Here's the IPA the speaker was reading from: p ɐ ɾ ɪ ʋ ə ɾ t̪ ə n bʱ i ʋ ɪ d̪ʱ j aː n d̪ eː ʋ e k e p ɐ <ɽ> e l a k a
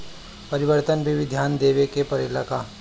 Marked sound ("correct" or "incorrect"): incorrect